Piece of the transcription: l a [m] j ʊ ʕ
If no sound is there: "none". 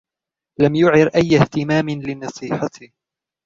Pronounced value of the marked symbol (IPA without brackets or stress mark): m